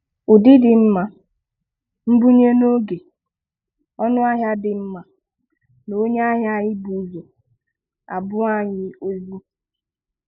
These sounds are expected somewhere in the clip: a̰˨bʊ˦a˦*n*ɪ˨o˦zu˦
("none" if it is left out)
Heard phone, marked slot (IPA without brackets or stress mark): ɲ